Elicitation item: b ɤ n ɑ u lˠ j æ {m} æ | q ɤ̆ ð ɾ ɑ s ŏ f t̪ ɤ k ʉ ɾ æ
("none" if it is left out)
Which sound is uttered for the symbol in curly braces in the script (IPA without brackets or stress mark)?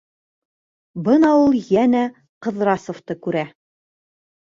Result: n